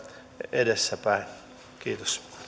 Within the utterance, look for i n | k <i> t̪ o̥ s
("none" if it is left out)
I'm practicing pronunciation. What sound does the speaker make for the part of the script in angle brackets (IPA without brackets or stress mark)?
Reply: iː